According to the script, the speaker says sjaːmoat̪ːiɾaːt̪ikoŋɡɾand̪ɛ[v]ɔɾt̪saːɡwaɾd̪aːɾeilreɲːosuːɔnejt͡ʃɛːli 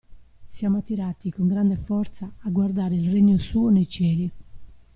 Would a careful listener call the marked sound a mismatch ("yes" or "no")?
yes